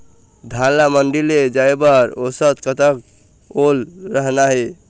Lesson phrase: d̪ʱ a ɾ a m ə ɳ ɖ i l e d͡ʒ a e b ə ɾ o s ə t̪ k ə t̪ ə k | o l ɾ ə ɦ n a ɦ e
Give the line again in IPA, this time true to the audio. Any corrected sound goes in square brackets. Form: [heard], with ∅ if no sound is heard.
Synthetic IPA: d̪ʱ a [l] a m ə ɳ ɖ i l e d͡ʒ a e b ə ɾ o s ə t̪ k ə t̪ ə k | o l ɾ ə ɦ n a ɦ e